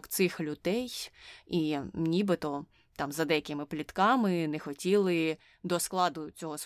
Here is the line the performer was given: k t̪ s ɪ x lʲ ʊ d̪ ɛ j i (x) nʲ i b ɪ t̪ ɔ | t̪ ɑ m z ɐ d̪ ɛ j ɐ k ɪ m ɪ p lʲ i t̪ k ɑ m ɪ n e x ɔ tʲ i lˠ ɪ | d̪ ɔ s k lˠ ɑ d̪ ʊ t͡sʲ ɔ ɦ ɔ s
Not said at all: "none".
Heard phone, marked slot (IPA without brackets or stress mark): none